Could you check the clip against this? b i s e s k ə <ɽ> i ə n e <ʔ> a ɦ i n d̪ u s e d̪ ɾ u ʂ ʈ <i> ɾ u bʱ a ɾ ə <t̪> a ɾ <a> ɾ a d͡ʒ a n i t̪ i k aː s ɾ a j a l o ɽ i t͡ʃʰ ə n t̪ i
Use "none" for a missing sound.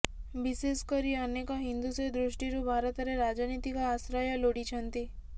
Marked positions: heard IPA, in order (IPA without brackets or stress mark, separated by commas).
ɾ, k, i, t̪, e